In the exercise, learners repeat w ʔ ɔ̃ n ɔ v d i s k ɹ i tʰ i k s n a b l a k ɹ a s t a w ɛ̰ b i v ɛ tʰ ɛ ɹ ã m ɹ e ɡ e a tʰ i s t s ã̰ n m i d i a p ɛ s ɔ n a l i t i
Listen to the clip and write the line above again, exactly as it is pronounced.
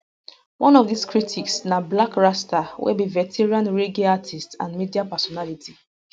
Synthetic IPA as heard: w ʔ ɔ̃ n ɔ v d i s k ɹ i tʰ i k s n a b l a k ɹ a s t a w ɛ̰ b i v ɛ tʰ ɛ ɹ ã n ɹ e ɡ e a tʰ i s t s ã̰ n m i d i a p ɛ s ɔ n a l i t i